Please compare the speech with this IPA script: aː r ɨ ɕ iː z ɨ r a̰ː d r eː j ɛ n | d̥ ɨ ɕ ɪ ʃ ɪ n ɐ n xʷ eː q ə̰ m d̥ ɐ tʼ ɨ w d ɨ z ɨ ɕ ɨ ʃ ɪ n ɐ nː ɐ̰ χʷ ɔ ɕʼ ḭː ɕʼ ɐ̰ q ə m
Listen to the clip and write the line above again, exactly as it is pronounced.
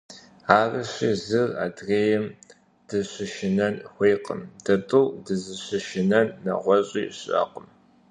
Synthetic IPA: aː r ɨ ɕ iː z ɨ r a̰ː d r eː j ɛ m | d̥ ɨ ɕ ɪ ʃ ɪ n ɐ n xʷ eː q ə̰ m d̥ ɐ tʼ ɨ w d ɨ z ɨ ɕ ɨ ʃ ɪ n ɐ nː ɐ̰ ʁʷ ɔ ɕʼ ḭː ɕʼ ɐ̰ q ə m